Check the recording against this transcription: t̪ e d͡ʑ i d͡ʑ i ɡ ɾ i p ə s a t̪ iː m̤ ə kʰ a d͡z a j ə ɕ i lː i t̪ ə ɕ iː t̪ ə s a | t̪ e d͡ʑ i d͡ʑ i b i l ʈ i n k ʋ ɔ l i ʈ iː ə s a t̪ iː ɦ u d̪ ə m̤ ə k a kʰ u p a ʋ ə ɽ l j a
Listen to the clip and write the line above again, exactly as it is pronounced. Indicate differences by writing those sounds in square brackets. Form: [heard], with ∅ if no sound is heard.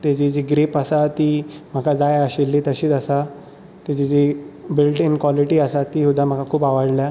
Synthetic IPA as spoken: t̪ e d͡ʑ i d͡ʑ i ɡ ɾ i p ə s a t̪ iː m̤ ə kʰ a d͡z a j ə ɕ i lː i t̪ ə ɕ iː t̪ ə s a | t̪ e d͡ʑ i d͡ʑ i b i l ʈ i n k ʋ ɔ l i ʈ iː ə s a t̪ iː ɦ u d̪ [a] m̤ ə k a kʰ [uː] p a ʋ ə ɽ l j a